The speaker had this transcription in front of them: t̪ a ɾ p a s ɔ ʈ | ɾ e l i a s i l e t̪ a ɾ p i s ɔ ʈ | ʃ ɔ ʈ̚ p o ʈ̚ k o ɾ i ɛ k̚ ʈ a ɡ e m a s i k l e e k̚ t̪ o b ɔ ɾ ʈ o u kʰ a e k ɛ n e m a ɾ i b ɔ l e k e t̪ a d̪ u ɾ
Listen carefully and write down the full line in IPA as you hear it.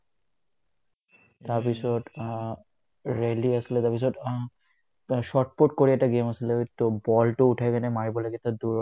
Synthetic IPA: t̪ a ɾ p i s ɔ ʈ | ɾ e l i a s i l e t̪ a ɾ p i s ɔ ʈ | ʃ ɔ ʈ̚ p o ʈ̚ k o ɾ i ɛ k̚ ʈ a ɡ e m a s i l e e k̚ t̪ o b ɔ l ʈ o u ʈʰ a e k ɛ n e m a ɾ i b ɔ l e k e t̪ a d̪ u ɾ